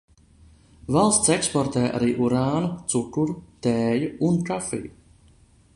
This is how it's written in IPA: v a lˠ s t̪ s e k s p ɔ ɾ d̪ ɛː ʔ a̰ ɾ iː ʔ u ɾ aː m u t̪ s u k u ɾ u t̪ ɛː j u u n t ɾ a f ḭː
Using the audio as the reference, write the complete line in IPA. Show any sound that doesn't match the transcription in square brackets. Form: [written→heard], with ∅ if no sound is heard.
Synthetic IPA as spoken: v a lˠ s t̪ s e k s p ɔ ɾ [d̪→t̪] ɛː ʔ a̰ ɾ iː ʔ u ɾ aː [m→n] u t̪ s u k u ɾ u t̪ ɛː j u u n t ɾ a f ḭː